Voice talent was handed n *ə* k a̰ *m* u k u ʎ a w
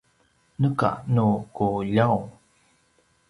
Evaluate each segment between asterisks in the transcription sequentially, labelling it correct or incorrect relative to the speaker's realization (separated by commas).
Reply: correct, incorrect